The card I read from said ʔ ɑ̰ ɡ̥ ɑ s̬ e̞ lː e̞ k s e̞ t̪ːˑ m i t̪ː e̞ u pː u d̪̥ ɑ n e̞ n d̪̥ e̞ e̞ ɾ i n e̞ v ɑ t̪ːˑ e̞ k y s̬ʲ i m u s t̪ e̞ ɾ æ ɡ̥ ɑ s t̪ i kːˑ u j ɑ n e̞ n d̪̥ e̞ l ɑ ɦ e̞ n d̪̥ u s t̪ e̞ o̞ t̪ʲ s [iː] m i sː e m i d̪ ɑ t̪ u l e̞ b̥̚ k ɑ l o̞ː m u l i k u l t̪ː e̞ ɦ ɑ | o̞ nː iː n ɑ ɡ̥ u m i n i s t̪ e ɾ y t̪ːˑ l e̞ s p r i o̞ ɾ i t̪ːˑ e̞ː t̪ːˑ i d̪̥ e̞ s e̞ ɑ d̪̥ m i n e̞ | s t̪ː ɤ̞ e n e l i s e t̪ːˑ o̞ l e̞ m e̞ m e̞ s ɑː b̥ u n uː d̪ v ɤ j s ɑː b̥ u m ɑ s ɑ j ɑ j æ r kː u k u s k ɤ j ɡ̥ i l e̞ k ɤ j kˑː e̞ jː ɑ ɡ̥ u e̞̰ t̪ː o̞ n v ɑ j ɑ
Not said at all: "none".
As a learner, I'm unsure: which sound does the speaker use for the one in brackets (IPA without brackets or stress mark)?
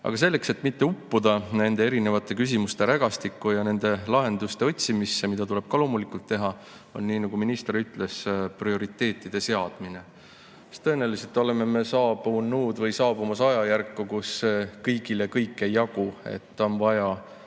i